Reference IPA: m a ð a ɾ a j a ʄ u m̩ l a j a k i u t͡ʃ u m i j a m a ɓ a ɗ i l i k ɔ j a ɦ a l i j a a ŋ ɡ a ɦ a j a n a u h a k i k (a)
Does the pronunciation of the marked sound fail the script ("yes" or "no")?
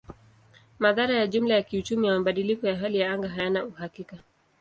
no